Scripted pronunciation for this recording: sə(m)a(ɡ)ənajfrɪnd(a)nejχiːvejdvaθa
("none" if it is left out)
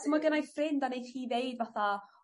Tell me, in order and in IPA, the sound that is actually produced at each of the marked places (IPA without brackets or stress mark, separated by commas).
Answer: m, ɡ, a